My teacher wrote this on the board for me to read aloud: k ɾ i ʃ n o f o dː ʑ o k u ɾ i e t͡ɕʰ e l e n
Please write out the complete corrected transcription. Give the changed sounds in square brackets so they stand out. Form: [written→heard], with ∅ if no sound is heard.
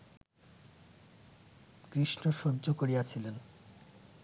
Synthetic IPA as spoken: k ɾ i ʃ n o [f→ʃ] o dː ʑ o k [u→o] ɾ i [e→a] t͡ɕʰ [e→i] l e n